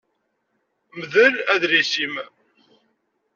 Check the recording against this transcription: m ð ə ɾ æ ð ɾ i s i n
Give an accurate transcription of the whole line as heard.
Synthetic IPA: m ð ə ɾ æ ð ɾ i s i m